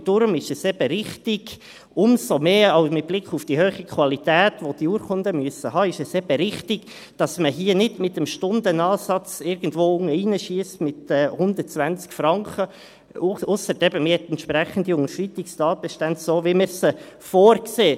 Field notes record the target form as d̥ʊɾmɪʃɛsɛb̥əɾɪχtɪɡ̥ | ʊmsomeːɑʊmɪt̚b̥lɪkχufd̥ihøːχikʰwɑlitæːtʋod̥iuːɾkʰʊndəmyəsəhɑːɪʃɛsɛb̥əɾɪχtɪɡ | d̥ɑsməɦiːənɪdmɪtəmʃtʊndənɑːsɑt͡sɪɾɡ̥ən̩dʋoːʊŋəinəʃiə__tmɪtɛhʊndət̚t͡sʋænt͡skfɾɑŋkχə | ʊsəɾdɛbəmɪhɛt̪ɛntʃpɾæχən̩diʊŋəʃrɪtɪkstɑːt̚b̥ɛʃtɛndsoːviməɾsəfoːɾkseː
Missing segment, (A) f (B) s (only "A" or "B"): B